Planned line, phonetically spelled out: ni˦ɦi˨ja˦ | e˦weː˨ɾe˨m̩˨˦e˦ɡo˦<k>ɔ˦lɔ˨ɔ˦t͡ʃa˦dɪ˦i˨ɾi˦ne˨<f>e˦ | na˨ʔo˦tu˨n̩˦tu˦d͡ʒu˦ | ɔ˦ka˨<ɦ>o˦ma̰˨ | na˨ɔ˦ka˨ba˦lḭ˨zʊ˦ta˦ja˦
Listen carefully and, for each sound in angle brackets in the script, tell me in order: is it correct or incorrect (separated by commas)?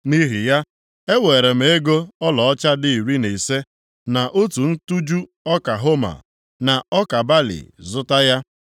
incorrect, incorrect, correct